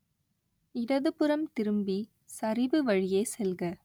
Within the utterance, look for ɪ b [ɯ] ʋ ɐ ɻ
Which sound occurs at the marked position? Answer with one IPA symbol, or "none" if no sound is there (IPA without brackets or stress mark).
ɯ